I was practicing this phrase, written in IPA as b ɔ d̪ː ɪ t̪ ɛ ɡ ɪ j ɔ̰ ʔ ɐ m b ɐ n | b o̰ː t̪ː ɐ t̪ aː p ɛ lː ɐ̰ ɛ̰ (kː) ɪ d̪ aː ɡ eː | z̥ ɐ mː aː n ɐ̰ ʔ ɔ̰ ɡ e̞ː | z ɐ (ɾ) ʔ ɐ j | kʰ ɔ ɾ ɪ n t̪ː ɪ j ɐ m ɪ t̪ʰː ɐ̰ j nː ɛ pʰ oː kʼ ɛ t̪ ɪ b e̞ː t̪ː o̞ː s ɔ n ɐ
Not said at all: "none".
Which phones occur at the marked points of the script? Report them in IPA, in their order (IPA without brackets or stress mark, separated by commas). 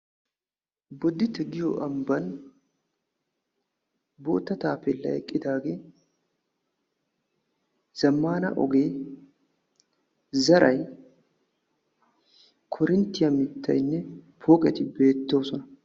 kʼː, ɾ